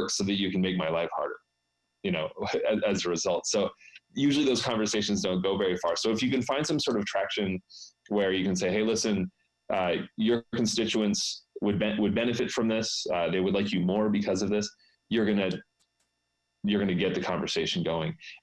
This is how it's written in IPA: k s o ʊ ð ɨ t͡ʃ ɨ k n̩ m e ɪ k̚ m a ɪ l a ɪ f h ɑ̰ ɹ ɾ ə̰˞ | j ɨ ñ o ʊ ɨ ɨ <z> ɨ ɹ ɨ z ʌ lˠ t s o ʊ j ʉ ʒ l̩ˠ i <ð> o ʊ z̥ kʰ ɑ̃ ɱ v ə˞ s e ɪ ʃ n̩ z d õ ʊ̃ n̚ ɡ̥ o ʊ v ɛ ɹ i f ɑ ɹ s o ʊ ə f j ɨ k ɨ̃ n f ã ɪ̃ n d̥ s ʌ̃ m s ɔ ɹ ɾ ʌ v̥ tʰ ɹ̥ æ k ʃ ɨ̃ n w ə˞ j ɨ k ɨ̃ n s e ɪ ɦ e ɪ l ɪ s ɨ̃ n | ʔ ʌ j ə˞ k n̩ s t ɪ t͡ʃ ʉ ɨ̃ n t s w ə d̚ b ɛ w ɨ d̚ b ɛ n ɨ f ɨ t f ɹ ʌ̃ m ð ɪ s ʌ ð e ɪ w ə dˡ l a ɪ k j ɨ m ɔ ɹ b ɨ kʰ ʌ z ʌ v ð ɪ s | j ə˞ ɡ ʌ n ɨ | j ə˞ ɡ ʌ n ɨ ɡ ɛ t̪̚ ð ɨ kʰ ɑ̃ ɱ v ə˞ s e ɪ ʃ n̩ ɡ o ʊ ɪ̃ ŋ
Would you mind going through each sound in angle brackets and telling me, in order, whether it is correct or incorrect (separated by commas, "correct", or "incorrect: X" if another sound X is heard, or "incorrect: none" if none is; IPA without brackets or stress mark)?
correct, correct